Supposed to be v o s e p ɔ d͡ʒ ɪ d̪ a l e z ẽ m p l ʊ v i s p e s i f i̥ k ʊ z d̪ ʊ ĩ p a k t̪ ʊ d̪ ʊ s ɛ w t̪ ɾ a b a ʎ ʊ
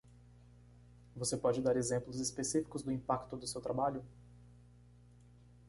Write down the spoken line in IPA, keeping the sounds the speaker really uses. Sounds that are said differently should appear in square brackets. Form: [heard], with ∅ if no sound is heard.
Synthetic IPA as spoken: v o s e p ɔ d͡ʒ ɪ d̪ a [ɾ] e z ẽ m p l ʊ [z] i s p e s i f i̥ k ʊ z d̪ ʊ ĩ p a k t̪ ʊ d̪ ʊ s [e] w t̪ ɾ a b a ʎ ʊ